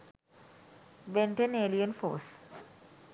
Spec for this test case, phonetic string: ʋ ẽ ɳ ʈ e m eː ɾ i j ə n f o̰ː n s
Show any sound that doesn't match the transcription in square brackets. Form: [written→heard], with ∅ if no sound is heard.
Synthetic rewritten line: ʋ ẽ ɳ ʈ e [m→n] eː [ɾ→l] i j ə n f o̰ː [n→∅] s